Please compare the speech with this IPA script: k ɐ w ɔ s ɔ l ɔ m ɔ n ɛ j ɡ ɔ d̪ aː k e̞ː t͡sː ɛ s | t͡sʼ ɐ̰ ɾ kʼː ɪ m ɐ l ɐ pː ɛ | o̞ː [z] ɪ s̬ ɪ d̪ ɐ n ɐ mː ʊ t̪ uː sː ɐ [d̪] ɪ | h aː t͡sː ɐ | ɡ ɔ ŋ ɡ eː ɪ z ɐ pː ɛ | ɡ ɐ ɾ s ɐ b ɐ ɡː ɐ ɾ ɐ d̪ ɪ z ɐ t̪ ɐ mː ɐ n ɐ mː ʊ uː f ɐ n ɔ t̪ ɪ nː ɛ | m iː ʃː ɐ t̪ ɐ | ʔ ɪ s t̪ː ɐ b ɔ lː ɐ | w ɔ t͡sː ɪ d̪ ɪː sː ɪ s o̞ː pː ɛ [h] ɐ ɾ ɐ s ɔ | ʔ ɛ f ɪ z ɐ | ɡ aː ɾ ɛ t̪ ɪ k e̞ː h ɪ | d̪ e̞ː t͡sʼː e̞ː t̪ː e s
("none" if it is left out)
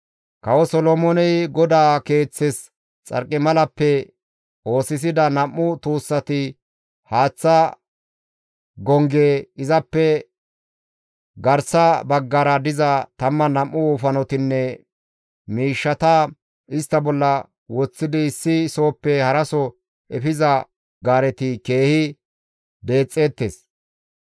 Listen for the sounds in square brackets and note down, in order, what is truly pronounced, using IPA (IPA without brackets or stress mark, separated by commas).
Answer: s, t̪, h